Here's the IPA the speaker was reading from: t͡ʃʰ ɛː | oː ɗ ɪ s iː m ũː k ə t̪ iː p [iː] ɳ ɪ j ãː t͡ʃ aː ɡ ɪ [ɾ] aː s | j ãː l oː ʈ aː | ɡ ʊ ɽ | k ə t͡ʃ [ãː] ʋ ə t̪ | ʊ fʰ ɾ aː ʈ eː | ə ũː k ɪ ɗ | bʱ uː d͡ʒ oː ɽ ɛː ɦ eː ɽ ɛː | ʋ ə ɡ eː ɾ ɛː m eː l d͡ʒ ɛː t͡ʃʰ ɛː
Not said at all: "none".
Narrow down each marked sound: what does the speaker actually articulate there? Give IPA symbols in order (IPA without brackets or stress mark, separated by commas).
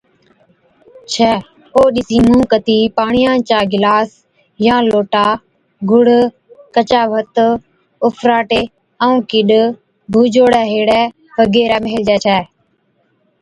aː, l, aː